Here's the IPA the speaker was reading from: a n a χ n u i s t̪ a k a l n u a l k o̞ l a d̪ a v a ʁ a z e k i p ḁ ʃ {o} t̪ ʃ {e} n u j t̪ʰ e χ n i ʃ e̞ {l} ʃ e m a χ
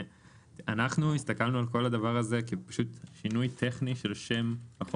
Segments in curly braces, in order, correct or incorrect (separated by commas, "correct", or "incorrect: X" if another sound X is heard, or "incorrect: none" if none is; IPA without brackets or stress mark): incorrect: u, incorrect: i, correct